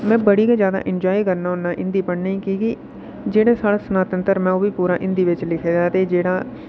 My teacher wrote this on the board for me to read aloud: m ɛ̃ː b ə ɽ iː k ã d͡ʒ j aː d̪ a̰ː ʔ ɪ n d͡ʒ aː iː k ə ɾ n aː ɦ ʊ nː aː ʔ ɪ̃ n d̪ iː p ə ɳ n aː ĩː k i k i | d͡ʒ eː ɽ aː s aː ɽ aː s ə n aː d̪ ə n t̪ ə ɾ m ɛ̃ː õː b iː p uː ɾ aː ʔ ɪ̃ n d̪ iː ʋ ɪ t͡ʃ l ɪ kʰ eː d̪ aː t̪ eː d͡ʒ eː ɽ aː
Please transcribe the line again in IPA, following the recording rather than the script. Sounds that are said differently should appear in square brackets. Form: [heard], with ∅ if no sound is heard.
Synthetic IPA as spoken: m ɛ̃ː b ə ɽ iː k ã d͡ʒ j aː d̪ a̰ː ʔ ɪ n d͡ʒ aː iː k ə ɾ n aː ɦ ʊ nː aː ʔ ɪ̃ n d̪ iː p ə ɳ n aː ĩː k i k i | d͡ʒ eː ɽ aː s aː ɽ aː s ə n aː [t̪] ə n t̪ ə ɾ m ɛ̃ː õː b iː p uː ɾ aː ʔ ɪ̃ n d̪ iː ʋ ɪ t͡ʃ l ɪ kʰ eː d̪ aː t̪ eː d͡ʒ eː ɽ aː